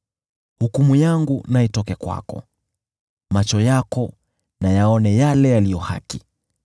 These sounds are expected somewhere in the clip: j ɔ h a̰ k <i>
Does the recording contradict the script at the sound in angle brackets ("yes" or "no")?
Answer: no